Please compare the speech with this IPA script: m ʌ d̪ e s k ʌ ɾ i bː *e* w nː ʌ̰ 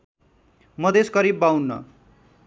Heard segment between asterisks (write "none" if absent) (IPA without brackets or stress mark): a